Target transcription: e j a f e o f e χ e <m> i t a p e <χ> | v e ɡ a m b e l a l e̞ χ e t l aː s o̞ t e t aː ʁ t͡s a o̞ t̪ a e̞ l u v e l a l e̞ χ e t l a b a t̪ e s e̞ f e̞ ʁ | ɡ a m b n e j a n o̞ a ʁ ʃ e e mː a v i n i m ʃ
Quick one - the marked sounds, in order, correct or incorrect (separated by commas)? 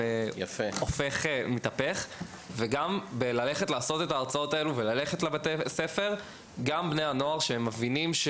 correct, correct